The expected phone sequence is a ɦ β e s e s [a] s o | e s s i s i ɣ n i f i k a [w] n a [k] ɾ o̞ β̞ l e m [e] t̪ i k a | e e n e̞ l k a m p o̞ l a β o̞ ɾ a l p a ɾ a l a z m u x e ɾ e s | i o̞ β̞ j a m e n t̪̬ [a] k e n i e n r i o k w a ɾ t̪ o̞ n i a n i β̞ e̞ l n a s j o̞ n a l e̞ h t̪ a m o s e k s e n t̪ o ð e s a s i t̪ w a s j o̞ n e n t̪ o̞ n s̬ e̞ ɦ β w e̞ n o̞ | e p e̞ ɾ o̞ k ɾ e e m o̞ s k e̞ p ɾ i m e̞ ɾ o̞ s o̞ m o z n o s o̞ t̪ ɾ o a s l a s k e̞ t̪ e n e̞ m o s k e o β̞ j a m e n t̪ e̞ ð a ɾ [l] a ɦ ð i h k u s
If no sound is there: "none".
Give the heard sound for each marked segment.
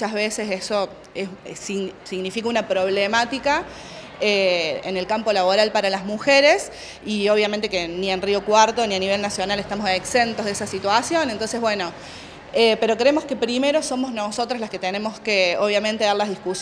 e, u, p, a, e, l

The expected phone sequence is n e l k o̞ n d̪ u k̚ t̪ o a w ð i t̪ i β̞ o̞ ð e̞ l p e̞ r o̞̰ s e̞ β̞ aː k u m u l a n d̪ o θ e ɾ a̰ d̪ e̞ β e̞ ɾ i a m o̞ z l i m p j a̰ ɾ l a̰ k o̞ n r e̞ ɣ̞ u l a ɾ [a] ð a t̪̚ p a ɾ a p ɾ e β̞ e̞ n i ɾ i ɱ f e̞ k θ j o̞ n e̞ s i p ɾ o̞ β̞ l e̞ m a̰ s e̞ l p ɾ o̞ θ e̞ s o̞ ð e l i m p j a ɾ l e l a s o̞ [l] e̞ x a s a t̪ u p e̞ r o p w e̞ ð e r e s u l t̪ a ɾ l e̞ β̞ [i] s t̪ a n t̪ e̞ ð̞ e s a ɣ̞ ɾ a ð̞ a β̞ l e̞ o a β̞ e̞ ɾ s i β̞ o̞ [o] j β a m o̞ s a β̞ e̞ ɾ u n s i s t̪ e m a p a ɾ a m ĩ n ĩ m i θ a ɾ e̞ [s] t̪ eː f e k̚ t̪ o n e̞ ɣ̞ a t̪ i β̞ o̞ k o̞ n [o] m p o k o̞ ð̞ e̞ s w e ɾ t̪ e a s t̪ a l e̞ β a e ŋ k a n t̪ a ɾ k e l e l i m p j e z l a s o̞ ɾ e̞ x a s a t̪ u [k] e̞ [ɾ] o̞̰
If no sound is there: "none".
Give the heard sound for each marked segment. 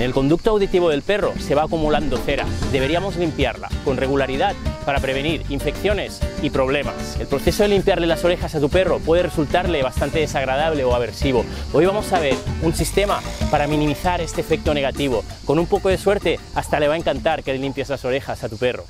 i, ɾ, a, o, s, u, p, r

